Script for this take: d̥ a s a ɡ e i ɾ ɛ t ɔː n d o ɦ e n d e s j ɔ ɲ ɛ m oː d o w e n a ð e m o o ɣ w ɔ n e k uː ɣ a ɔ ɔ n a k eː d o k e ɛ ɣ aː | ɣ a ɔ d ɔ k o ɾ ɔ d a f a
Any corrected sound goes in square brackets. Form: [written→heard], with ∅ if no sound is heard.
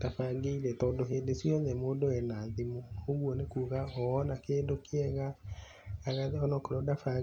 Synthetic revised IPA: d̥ a [s→f] a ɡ e i ɾ ɛ t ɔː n d o ɦ e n d e s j ɔ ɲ ɛ m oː d o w [e→ɛ] n a ð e m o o ɣ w ɔ n e k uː ɣ a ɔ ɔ n a k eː d o k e ɛ ɣ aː | ɣ a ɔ [d→n] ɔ k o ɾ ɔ d a f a